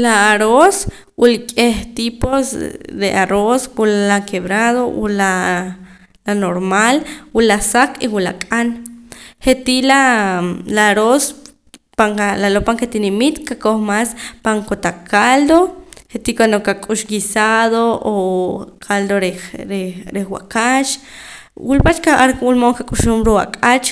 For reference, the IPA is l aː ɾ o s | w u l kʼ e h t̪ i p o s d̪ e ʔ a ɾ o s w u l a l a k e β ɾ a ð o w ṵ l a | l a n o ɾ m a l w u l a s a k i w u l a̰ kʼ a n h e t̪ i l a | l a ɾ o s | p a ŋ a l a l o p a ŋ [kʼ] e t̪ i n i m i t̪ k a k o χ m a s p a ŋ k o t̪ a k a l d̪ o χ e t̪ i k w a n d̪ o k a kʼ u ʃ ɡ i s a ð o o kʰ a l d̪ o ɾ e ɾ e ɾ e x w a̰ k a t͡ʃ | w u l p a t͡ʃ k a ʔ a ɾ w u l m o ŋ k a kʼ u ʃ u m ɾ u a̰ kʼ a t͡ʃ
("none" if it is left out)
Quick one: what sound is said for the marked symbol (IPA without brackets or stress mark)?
k